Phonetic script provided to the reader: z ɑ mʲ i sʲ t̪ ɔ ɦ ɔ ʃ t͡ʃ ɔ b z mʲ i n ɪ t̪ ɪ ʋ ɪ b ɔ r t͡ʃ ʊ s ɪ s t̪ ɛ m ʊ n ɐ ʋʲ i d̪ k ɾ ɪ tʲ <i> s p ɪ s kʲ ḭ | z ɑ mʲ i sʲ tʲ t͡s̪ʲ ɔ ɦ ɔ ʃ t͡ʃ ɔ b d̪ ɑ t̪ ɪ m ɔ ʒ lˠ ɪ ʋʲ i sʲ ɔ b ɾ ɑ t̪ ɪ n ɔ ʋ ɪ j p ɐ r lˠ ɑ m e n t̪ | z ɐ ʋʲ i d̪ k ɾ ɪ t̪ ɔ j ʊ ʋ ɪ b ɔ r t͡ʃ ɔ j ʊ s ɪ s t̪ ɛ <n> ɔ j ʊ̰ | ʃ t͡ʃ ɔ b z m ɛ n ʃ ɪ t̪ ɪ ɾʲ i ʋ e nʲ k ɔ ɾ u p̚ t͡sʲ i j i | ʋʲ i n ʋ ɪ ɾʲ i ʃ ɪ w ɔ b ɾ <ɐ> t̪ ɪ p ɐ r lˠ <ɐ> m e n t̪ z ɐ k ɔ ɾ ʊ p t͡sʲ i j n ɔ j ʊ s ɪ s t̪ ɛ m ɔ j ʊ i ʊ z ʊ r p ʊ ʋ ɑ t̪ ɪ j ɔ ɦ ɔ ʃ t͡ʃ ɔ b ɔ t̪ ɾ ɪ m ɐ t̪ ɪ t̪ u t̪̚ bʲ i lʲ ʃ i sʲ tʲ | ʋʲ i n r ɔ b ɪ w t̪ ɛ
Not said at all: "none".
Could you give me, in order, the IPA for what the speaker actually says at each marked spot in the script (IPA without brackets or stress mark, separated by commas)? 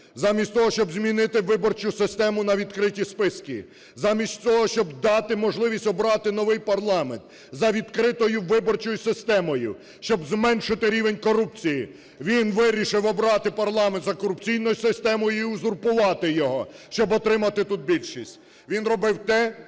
i, m, ɑ, ɑ